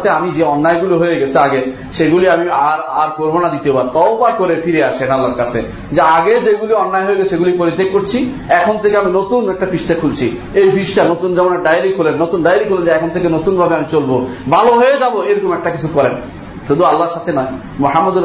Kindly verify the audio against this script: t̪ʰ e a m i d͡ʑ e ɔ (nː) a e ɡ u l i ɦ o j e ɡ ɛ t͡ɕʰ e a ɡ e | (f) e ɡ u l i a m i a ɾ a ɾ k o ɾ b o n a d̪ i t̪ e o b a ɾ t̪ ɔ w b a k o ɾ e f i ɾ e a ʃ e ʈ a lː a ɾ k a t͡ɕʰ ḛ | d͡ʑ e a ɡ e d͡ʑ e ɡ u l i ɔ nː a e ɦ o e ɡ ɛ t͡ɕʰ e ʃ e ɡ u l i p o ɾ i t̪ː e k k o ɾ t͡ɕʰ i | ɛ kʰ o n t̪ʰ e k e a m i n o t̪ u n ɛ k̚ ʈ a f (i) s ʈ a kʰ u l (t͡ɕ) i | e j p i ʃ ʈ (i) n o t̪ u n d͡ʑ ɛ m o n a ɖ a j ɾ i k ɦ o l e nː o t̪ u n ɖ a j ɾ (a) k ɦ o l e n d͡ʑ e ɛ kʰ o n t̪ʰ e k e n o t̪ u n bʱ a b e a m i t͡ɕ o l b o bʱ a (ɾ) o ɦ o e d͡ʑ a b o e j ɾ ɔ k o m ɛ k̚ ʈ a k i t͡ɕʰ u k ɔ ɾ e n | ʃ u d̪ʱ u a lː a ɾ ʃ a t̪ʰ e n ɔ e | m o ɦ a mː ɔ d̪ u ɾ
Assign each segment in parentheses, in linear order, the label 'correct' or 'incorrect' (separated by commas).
correct, incorrect, correct, incorrect, incorrect, incorrect, incorrect